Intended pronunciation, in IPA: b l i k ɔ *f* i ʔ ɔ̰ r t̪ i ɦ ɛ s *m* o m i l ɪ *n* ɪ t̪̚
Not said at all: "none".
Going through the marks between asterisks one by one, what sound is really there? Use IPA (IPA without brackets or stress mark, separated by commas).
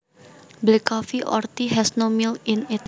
f, n, n